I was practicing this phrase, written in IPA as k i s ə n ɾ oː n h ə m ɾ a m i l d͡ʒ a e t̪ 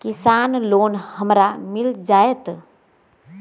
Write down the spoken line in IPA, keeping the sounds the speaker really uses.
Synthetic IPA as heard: k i s a n l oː n h ə m ɾ a m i l d͡ʒ a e t̪